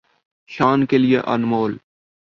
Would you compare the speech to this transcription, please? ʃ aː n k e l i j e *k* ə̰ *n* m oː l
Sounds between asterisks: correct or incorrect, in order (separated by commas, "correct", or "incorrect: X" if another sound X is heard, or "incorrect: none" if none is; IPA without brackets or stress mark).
incorrect: ʔ, correct